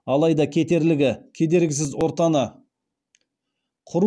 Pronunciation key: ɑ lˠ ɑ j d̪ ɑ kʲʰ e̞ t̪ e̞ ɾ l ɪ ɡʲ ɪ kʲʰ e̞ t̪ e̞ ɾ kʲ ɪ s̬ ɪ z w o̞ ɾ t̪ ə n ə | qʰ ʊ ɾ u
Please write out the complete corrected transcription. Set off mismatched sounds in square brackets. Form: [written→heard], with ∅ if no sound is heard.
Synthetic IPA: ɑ lˠ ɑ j d̪ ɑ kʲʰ e̞ t̪ e̞ ɾ l ɪ ɡʲ ɪ kʲʰ e̞ [t̪→d̪] e̞ ɾ [kʲ→ɡʲ] ɪ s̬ ɪ z w o̞ ɾ t̪ [ə→ɑ] n ə | qʰ ʊ ɾ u